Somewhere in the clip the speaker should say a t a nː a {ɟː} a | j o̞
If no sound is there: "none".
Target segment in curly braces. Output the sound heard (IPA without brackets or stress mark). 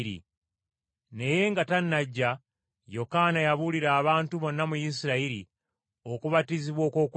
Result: ɟː